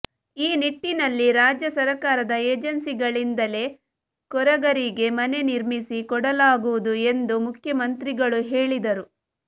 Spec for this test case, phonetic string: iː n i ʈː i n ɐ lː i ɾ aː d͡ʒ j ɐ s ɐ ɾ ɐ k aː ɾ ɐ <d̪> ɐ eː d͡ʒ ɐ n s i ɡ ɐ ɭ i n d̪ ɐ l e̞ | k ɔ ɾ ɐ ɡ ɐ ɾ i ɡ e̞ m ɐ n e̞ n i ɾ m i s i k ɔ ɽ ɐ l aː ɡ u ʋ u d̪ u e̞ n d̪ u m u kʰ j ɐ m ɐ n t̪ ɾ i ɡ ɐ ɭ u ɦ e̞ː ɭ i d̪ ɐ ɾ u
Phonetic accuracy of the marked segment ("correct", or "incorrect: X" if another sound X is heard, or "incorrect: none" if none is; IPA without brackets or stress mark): correct